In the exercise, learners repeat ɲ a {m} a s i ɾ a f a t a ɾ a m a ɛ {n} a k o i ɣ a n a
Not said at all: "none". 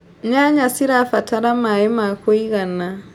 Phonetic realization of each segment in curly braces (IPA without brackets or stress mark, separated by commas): ɲ, m